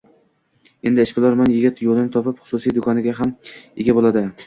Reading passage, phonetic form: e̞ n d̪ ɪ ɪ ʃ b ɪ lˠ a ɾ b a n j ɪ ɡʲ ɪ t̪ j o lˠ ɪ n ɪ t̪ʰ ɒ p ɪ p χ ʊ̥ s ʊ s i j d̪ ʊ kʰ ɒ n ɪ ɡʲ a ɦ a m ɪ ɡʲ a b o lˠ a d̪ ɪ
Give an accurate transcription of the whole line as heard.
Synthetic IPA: e̞ n d̪ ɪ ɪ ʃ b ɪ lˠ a ɾ m a n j ɪ ɡʲ ɪ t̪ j o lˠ ɪ n ɪ t̪ʰ ɒ p ɪ p χ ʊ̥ s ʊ s i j d̪ ʊ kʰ ɒ n ɪ ɡʲ a ɦ a m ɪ ɡʲ a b o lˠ a d̪ ɪ